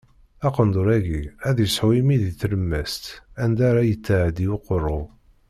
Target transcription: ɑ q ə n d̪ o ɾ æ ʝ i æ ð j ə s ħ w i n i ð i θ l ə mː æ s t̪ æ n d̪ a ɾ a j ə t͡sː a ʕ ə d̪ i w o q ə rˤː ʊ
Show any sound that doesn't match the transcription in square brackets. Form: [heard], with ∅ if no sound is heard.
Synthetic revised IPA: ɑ q ə n d̪ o ɾ æ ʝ i æ ð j ə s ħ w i [m] i ð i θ l ə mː æ s t̪ æ n d̪ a ɾ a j ə t͡sː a ʕ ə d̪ i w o q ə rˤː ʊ